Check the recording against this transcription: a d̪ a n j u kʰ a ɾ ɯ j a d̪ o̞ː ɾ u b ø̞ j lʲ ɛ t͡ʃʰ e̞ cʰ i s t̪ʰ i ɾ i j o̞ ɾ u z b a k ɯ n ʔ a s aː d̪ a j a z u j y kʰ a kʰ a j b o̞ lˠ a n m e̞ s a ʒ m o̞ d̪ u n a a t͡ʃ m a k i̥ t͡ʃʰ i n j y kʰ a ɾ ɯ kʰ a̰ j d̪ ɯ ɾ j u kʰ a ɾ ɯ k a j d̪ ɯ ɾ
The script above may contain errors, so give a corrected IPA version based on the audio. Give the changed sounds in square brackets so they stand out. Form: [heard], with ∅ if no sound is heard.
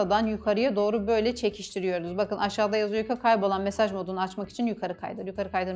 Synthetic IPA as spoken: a d̪ a n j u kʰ a ɾ ɯ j a d̪ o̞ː ɾ u b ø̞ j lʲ ɛ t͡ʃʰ e̞ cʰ i [ʃ] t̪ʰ i ɾ i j o̞ ɾ u z b a k ɯ n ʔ a [ʃ] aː d̪ a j a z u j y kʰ a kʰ a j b o̞ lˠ a n m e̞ s a ʒ m o̞ d̪ u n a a t͡ʃ m a k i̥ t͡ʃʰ i n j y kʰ a ɾ ɯ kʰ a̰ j d̪ ɯ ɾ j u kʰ a ɾ ɯ k a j d̪ ɯ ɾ